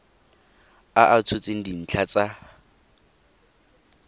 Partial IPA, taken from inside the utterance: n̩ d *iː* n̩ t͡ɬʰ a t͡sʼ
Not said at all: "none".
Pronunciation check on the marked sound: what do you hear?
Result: i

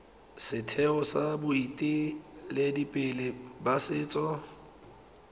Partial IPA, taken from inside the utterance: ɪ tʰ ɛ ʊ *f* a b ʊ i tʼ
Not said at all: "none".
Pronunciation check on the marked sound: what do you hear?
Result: s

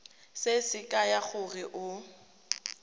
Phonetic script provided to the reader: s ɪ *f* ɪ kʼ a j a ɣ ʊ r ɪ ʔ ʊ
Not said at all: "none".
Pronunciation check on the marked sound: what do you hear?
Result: s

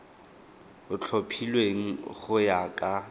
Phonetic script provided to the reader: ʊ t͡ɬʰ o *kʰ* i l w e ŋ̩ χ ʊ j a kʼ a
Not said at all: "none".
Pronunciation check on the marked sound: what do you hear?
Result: pʰ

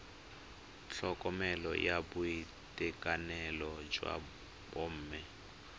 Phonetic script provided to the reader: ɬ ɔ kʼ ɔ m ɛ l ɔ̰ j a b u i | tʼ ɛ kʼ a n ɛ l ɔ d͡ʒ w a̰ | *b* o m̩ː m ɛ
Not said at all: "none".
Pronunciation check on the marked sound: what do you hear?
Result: b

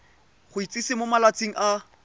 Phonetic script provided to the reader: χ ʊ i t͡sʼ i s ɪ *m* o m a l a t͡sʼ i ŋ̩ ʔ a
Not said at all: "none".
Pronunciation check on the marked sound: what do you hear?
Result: m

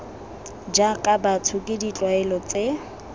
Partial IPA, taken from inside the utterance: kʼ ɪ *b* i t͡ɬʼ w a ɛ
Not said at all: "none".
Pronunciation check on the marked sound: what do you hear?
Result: d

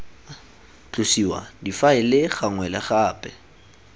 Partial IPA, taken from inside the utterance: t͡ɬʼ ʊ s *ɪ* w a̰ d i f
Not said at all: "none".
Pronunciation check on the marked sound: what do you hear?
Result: i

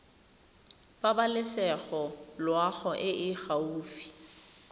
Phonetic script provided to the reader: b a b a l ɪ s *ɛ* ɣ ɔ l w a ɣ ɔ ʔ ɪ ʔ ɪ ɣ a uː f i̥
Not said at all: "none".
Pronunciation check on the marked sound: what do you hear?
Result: ɛ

